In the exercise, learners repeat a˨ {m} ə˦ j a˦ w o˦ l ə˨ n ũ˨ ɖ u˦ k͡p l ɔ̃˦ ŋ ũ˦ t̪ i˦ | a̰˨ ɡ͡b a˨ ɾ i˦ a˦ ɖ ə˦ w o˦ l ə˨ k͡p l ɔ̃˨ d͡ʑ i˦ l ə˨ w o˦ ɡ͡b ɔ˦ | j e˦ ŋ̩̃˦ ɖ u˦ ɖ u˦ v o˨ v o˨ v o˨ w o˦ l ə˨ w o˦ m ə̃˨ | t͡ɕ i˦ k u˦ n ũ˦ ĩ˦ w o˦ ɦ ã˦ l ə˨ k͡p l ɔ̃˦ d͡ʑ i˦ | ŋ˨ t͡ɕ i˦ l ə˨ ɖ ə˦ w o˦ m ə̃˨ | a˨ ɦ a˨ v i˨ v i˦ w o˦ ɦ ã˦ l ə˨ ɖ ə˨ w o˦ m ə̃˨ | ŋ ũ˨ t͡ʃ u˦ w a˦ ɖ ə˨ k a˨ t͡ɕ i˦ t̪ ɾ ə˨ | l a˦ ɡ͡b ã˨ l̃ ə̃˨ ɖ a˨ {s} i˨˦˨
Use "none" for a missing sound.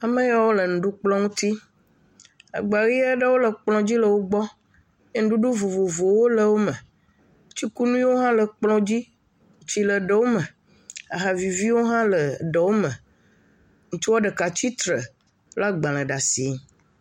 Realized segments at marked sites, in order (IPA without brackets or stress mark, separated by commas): m, s